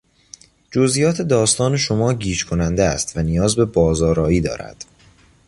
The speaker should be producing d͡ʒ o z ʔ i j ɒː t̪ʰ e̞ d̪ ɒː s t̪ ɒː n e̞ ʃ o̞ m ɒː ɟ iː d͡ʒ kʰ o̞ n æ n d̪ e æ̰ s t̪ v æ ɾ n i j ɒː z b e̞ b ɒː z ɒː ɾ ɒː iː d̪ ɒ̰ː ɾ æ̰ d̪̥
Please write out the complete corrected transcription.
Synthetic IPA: d͡ʒ o z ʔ i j ɒː t̪ʰ e̞ d̪ ɒː s t̪ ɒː n e̞ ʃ o̞ m ɒː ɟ iː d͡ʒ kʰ o̞ n æ n d̪ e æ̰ s t̪ v æ n i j ɒː z b e̞ b ɒː z ɒː ɾ ɒː iː d̪ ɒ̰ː ɾ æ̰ d̪̥